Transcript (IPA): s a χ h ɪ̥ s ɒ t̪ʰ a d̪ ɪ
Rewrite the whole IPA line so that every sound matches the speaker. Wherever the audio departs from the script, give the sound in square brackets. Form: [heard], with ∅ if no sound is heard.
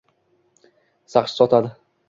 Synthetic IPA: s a χ [ʃ] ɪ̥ s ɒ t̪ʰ a d̪ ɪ